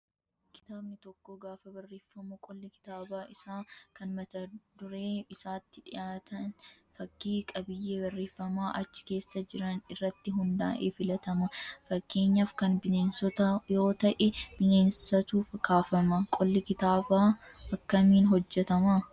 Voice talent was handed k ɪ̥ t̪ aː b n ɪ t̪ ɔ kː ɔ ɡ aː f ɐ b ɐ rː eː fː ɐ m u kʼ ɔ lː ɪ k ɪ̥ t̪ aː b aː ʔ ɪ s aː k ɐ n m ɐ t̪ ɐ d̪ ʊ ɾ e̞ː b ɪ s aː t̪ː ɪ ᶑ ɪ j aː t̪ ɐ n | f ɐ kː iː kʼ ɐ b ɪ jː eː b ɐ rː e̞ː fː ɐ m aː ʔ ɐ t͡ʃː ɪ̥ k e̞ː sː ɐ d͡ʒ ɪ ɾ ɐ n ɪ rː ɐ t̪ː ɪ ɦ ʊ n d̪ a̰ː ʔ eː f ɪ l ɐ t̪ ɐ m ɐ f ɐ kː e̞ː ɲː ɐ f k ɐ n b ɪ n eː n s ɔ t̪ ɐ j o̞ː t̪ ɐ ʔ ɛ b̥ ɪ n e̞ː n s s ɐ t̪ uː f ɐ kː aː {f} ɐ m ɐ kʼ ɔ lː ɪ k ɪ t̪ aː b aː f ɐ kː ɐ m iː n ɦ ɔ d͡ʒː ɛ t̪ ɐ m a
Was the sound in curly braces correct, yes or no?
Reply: yes